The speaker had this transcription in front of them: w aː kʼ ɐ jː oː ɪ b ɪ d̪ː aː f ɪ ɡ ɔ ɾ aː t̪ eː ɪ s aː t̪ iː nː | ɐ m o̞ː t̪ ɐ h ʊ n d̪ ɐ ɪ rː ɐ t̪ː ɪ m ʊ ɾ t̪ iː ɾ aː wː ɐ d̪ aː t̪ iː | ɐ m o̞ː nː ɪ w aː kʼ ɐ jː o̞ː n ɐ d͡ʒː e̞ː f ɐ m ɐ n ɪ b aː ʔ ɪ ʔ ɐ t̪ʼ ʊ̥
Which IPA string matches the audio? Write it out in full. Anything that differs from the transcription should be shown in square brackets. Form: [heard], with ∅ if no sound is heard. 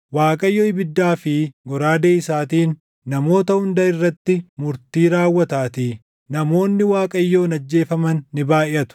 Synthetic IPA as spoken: w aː kʼ ɐ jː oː ɪ b ɪ d̪ː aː f ɪ ɡ ɔ ɾ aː [d̪] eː ɪ s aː t̪ iː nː | ɐ m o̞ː t̪ ɐ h ʊ n d̪ ɐ ɪ rː ɐ t̪ː ɪ m ʊ ɾ t̪ iː ɾ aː wː ɐ [t̪] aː t̪ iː | ɐ m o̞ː nː ɪ w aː kʼ ɐ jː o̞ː n ɐ d͡ʒː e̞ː f ɐ m ɐ [nː] ɪ b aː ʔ ɪ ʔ ɐ [t̪] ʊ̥